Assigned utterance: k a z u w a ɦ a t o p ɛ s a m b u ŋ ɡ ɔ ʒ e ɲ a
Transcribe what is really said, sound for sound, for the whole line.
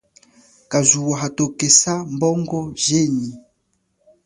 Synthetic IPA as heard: k a z u w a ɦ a t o k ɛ s a m b ɔ ŋ ɡ ɔ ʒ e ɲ i